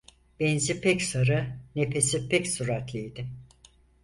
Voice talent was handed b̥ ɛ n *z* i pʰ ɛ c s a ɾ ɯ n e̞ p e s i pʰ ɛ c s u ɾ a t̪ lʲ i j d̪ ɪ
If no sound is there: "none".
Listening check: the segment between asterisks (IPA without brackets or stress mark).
z